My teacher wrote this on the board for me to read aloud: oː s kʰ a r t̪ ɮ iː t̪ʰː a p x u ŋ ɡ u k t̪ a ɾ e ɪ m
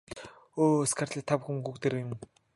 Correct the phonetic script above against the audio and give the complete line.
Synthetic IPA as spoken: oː s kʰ a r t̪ ɮ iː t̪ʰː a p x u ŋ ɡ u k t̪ e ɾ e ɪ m

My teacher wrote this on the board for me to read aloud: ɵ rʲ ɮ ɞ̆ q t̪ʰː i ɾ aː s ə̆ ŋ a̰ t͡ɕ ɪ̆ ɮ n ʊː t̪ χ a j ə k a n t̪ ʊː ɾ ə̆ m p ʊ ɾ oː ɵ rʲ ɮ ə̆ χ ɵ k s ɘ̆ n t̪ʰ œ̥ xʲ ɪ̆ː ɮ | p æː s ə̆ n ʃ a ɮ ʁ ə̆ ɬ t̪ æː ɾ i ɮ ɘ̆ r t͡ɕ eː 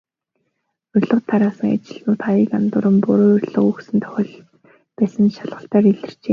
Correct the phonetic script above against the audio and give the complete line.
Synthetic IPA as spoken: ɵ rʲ ɮ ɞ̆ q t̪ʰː a ɾ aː s ə̆ ŋ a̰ t͡ɕ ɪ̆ ɮ n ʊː t̪ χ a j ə k a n t̪ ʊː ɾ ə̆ m p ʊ ɾ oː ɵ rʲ ɮ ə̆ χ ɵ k s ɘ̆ n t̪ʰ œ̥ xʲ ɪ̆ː ɮ | p æː s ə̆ n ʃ a ɮ ʁ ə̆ ɬ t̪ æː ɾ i ɮ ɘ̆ r t͡ɕ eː

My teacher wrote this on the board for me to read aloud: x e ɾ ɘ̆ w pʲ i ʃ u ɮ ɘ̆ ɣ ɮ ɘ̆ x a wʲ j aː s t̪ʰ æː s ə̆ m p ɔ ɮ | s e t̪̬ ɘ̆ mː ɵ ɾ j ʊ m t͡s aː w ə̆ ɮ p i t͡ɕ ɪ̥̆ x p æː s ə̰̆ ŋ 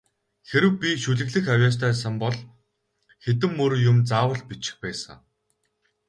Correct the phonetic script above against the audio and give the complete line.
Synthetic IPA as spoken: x e ɾ ɘ̆ w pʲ i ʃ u ɮ ɘ̆ ɣ ɮ ɘ̆ x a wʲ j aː s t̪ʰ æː s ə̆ m p ɔ ɮ | x e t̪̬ ɘ̆ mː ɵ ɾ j ʊ m t͡s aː w ə̆ ɮ p i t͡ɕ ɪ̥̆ x p æː s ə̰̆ ŋ

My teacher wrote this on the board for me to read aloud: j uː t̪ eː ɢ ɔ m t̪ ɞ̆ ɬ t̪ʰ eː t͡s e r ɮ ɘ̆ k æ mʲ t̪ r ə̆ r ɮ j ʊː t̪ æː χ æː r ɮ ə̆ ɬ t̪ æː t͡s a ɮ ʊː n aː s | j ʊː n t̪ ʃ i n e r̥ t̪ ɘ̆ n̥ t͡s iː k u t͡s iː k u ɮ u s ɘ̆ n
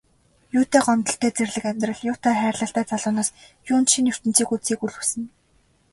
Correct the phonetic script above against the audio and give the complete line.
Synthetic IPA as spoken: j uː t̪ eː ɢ ɔ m t̪ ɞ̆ ɬ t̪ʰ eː t͡s e r ɮ ɘ̆ k æ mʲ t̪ r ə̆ ɮ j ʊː t̪ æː χ æː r ɮ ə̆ ɬ t̪ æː t͡s a ɮ ʊː n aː s | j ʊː n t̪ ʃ i n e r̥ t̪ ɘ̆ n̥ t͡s iː k u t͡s iː k u ɮ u s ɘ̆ n

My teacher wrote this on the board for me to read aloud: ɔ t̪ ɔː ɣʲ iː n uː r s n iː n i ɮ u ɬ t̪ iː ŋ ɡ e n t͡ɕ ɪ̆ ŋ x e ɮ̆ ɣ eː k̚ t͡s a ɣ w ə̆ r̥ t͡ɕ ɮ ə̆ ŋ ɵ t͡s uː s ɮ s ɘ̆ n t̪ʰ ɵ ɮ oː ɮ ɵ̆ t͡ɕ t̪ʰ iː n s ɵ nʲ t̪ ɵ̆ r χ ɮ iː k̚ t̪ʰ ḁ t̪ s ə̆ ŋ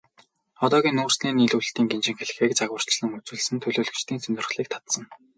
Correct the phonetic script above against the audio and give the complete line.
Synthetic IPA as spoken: ɔ t̪ ɔː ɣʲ iː n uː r s n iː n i ɮ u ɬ t̪ iː ŋ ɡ e n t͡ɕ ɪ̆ ŋ x e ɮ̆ x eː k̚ t͡s a ɣ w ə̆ r̥ t͡ɕ ɮ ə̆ ŋ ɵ t͡s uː ɮ s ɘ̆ n t̪ʰ ɵ ɮ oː ɮ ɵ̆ t͡ɕ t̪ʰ iː n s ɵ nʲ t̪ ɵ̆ r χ ɮ iː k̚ t̪ʰ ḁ t̪ s ə̆ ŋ

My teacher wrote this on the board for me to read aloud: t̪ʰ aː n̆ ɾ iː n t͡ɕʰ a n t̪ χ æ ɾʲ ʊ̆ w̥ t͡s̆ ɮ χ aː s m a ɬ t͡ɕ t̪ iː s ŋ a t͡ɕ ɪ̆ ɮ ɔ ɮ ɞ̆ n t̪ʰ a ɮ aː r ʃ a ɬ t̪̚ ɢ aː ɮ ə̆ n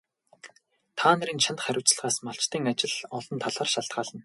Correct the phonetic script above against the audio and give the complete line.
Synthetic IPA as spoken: t̪ʰ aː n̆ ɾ iː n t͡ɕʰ a n t̪ χ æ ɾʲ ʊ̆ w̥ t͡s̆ ɮ ʁ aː s m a ɬ t͡ɕ t̪ iː ŋ a t͡ɕ ɪ̆ ɮ ɔ ɮ ɞ̆ n t̪ʰ a ɮ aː r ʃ a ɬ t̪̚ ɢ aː ɮ ə̆ n

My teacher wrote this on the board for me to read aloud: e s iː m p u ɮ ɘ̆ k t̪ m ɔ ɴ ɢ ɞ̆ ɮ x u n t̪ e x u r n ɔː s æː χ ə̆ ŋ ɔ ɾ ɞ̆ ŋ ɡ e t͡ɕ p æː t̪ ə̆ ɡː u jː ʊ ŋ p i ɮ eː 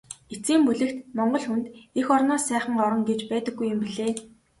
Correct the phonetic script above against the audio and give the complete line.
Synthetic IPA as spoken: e t͡s iː m p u ɮ ɘ̆ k t̪ m ɔ ɴ ɢ ɞ̆ ɮ x u n t̪ e x ɔ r n ɔː s æː χ ə̆ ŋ ɔ ɾ ɞ̆ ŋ ɡ e t͡ɕ p æː t̪ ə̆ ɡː u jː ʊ m p i ɮ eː

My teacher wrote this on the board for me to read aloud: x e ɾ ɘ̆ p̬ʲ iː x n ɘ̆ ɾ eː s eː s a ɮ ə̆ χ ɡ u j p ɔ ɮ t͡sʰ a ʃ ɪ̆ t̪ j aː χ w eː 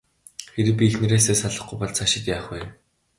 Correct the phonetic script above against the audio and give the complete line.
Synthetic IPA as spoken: x e ɾ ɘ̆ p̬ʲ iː x n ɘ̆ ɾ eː s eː s a ɮ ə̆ χ ɡ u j p ɔ ɮ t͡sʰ a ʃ ɪ̆ t̪ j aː χ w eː

